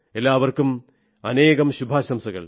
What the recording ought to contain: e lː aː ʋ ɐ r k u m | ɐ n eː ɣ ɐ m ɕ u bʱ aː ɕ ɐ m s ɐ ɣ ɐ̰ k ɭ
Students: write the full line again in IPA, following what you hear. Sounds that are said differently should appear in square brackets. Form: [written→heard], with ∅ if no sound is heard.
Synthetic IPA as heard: e lː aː ʋ ɐ r k u m | ɐ n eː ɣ ɐ m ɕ u bʱ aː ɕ ɐ m s ɐ ɣ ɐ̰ [k→∅] ɭ